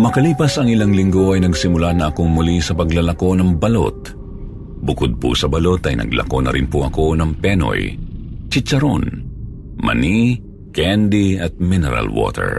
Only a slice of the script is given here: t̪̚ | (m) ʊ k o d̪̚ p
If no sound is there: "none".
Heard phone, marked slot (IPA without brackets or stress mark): b